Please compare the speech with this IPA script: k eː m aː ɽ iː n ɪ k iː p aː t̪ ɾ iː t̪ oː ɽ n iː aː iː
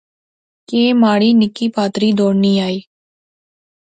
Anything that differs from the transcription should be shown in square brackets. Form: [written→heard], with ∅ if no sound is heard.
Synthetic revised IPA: k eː m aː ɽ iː n ɪ k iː p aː t̪ ɾ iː [t̪→d̪] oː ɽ n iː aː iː